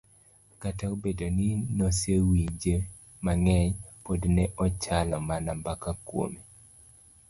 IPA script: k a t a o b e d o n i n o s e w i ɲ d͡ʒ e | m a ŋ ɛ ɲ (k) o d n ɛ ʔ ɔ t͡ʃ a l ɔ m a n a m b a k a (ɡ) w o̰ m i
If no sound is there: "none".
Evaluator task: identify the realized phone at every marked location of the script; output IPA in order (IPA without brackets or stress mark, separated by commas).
p, k